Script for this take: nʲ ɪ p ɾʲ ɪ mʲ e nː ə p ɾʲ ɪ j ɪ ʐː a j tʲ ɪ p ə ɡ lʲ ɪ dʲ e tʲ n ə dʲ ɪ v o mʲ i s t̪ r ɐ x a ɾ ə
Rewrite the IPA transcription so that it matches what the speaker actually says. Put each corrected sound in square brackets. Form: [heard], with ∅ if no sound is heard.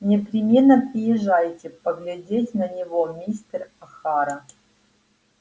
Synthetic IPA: nʲ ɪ p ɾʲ ɪ mʲ e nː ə p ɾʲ ɪ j ɪ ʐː a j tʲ ɪ p ə ɡ lʲ ɪ dʲ e tʲ n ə [nʲ] ɪ v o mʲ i s t̪ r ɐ x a ɾ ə